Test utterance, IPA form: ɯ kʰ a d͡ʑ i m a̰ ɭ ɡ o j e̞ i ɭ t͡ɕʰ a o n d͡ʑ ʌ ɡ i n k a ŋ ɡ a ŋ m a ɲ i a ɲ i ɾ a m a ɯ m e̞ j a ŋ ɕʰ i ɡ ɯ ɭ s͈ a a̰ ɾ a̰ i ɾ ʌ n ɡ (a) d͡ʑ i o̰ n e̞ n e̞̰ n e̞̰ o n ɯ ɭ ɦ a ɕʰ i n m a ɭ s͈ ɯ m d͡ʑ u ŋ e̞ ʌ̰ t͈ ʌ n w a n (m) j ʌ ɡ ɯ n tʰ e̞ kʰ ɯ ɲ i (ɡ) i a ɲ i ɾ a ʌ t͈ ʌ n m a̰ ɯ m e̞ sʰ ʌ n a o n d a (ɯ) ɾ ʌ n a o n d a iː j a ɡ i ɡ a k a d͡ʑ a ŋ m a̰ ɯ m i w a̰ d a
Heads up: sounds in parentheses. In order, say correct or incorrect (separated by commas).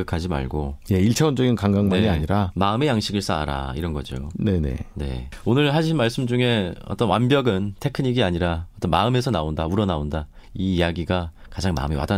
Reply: incorrect, incorrect, correct, incorrect